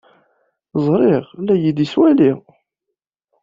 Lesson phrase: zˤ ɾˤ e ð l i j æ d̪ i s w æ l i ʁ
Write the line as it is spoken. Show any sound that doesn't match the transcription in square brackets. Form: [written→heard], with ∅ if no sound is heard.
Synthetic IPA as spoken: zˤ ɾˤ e [ð→ʁ] l [i→æ] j [æ→i] d̪ i s w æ l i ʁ